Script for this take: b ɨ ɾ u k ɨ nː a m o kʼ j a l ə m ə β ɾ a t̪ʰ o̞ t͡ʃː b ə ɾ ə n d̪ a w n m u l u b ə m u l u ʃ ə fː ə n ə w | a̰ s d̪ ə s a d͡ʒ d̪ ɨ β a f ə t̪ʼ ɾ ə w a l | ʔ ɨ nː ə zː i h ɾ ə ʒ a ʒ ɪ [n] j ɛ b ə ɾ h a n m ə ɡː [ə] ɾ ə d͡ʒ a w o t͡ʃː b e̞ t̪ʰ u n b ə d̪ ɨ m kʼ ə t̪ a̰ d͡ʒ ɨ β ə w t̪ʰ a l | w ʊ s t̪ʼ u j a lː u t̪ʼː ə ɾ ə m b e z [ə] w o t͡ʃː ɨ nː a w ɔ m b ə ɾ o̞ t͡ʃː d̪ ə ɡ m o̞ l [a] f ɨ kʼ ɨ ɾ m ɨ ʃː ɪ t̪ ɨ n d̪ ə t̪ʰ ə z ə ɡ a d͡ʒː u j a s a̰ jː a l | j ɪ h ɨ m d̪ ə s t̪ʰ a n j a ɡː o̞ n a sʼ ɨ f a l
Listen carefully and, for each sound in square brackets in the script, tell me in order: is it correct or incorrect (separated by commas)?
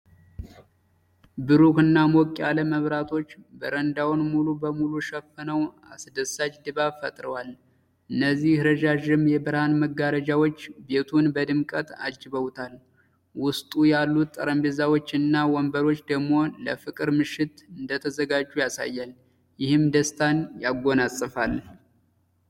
incorrect, incorrect, incorrect, incorrect